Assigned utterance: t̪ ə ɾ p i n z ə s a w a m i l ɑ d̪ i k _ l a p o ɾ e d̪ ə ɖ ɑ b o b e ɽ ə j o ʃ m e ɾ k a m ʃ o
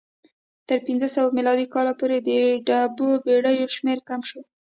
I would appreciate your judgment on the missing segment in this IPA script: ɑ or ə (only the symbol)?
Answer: ɑ